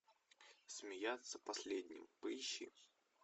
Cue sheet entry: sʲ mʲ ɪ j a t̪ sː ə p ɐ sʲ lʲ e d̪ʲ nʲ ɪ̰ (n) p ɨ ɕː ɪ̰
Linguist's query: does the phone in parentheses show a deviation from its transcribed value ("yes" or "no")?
yes